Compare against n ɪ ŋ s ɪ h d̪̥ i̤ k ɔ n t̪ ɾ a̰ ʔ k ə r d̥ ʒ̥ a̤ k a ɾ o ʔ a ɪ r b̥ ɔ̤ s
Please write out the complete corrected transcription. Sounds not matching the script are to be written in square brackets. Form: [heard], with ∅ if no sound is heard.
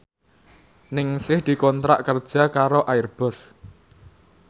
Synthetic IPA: n ɪ ŋ s ɪ h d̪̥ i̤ k ɔ n t̪ ɾ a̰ ʔ k ə r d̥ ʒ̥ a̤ k a ɾ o ʔ a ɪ r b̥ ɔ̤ s